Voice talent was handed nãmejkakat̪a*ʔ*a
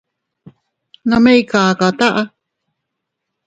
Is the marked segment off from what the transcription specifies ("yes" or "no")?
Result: no